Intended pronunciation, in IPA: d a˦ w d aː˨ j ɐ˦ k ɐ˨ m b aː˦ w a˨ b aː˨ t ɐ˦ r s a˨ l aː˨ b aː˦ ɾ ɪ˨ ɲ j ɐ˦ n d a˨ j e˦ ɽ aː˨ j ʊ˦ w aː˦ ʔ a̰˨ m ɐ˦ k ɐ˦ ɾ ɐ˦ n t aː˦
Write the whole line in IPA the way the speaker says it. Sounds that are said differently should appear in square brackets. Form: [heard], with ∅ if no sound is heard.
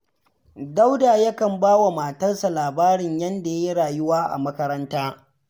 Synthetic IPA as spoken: d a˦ w d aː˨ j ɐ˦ k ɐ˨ m b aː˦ w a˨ [m] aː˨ t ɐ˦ r s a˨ l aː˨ b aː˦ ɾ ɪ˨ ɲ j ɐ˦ n d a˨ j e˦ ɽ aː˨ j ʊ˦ w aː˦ ʔ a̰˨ m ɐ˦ k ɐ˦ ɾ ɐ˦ n t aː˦